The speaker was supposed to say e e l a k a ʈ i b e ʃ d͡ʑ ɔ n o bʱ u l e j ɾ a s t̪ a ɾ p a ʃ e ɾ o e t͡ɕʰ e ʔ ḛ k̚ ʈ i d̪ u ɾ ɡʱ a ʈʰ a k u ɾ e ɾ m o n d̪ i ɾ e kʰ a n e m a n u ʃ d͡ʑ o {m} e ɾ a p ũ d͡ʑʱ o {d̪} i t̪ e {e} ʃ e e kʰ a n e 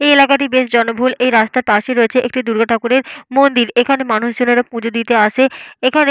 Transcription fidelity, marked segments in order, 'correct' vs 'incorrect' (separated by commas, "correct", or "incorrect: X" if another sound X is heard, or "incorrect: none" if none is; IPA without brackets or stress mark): incorrect: n, correct, incorrect: a